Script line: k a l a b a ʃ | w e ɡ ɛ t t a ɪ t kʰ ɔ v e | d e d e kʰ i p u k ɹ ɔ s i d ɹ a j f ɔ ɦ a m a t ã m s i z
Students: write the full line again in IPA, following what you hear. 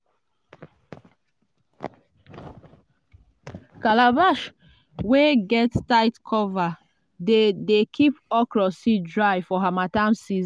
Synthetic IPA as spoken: k a l a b a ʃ | w e ɡ ɛ t t a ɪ t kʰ ɔ v a | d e d e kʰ i p ɔ k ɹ ɔ s i d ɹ a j f ɔ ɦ a m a t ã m s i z